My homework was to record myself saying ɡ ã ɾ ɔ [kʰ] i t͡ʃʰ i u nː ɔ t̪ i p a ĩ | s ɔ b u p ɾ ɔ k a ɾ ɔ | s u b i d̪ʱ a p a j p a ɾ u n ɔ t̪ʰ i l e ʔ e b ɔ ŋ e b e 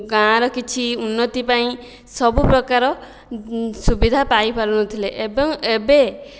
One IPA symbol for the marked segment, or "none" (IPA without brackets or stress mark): k